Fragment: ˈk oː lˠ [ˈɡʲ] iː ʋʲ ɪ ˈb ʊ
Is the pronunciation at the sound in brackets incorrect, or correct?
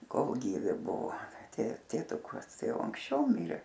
correct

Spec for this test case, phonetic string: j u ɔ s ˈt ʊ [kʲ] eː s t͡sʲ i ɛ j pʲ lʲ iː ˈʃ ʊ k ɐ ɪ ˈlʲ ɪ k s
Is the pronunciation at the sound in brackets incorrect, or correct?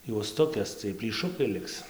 correct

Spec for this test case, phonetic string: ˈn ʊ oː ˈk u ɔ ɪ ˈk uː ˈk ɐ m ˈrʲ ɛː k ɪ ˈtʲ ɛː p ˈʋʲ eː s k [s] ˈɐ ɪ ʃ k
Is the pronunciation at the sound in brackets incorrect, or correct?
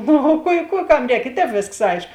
correct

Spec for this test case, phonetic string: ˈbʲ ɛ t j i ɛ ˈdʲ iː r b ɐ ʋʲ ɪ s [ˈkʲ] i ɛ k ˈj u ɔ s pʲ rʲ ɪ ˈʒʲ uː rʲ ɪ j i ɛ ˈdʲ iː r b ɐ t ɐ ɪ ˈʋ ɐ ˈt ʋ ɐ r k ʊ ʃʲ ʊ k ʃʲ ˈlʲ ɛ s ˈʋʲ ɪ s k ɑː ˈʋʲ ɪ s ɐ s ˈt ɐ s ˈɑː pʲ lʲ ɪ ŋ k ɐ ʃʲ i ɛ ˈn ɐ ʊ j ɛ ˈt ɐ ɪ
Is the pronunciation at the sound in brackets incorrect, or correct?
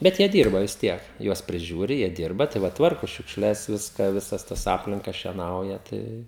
incorrect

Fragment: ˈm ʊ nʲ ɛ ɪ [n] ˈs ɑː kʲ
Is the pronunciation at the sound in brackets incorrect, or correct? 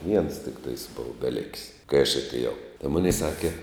incorrect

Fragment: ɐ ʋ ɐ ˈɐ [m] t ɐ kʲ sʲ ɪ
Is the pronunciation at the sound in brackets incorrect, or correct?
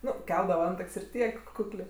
incorrect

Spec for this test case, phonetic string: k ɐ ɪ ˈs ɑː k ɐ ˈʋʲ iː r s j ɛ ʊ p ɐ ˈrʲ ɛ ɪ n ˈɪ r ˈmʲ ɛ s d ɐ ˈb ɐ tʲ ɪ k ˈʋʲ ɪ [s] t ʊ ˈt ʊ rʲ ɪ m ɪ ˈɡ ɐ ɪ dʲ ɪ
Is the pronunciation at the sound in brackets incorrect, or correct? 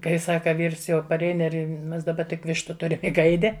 incorrect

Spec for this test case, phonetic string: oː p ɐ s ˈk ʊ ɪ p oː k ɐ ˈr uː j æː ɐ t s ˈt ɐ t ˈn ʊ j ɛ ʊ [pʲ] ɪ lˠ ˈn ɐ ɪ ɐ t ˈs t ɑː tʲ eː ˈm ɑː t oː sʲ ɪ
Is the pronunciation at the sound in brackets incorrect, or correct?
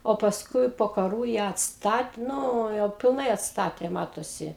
correct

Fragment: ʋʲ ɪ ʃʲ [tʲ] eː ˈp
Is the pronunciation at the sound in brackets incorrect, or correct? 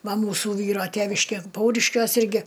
incorrect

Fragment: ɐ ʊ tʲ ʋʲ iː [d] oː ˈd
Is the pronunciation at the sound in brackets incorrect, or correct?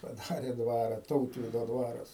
correct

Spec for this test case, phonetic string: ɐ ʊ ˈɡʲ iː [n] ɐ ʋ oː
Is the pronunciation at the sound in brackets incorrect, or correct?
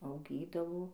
incorrect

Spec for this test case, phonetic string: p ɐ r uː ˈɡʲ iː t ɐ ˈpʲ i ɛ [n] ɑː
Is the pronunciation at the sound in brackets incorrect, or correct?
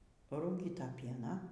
correct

